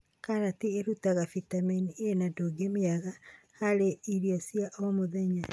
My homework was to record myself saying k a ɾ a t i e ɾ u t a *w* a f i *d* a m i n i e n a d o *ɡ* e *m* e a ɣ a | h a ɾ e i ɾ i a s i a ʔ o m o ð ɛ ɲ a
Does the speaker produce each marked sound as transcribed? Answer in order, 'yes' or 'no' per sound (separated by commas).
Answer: no, no, yes, yes